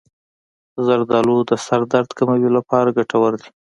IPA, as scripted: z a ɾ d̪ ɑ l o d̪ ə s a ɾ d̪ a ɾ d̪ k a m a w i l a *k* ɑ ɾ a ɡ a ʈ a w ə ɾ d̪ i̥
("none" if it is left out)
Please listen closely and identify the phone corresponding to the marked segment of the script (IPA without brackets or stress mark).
p